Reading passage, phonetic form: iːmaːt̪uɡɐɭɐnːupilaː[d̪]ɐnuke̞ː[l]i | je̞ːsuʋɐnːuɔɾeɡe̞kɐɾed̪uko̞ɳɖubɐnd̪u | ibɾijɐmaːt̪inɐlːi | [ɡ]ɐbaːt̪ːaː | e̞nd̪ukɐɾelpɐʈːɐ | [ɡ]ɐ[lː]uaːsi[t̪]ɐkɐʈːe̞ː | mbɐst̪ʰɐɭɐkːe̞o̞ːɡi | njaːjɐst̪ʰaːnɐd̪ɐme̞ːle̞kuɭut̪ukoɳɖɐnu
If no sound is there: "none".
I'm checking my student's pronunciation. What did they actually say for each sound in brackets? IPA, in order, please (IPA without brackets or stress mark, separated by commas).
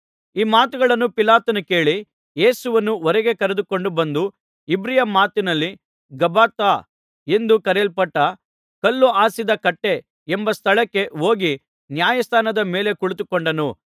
t̪, ɭ, ɡ, k, lː, d̪